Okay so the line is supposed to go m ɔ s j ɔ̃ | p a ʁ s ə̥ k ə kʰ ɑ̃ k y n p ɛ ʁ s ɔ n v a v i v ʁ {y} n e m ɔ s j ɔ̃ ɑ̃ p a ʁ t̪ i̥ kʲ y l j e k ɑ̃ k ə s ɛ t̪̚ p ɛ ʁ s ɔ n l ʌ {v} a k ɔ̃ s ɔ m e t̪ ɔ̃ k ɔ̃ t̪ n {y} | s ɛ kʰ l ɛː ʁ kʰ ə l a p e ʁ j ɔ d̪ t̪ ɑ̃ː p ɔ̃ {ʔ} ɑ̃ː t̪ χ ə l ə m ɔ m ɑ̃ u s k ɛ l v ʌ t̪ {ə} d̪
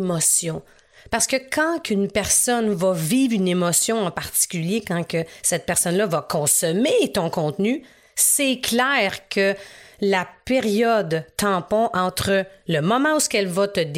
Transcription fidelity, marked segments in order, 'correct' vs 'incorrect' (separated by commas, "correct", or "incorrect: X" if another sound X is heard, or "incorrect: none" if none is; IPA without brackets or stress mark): correct, correct, correct, correct, correct